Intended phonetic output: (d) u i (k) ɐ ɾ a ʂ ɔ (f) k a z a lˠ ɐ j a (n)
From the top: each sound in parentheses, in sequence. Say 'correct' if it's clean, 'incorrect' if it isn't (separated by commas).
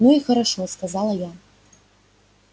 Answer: incorrect, incorrect, incorrect, incorrect